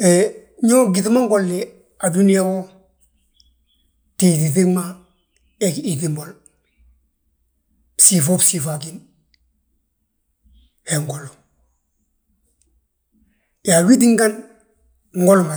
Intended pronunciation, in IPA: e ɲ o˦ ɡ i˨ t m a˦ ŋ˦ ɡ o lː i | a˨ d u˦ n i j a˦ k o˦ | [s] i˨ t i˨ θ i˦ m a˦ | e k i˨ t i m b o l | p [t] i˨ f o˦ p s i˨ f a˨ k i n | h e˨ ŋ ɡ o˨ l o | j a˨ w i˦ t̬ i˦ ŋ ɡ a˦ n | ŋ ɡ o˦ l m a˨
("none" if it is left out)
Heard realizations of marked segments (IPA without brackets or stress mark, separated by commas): t, s